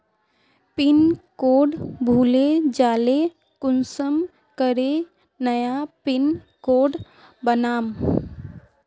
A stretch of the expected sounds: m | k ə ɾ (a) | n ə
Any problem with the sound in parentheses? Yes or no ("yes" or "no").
yes